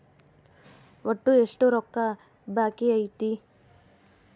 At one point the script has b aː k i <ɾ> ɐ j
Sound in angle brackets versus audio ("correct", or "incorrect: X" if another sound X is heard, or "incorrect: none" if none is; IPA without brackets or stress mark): incorrect: none